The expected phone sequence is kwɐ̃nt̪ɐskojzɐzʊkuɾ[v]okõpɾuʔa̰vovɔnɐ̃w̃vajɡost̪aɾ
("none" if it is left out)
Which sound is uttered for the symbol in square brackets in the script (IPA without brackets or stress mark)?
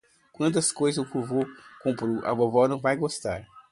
v